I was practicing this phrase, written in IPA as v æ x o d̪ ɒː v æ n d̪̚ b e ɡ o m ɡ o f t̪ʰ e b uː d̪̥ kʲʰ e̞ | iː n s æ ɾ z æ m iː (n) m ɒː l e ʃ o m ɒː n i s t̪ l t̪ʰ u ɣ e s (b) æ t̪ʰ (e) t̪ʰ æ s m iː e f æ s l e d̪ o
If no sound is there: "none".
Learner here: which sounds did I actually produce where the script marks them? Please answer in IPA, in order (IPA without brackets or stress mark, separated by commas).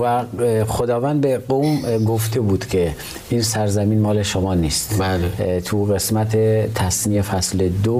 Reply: n, m, e